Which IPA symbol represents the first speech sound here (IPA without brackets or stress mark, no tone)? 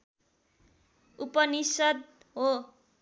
u